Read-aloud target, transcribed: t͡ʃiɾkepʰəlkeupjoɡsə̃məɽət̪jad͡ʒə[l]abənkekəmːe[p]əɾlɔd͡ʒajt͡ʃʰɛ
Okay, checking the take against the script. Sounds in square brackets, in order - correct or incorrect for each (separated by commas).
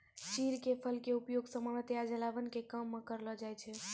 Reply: correct, incorrect